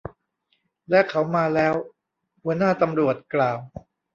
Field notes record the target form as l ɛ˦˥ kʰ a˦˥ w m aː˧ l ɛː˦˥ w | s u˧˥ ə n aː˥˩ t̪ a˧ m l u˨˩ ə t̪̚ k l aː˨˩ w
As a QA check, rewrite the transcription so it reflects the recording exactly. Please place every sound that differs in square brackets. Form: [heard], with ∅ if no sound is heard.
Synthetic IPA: l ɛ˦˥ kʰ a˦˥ w m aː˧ l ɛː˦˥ w | [h] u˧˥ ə n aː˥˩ t̪ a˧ m [ɾ] u˨˩ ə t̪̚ k l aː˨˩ w